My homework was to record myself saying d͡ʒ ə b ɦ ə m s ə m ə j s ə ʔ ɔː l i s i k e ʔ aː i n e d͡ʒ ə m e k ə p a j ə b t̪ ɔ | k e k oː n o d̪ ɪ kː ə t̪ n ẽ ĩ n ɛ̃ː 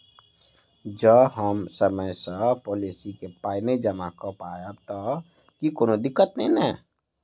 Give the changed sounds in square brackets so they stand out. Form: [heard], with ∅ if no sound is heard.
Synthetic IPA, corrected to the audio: d͡ʒ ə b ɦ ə m s ə m ə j s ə [p] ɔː l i s i k e [p] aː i n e d͡ʒ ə m [a] k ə p a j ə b t̪ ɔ | k [i] k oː n o d̪ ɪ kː ə t̪ n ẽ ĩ n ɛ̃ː